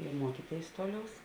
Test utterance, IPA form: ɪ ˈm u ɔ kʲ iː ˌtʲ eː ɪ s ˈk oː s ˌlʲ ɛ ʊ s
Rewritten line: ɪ ˈm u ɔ kʲ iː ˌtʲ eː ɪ s ˈt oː ˌlʲ ɛ ʊ s